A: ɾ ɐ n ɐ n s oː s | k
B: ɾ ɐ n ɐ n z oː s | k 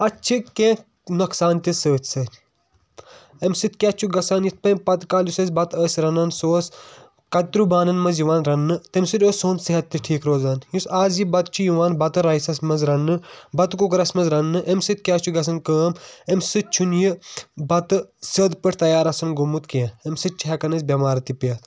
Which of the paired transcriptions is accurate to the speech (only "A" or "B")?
A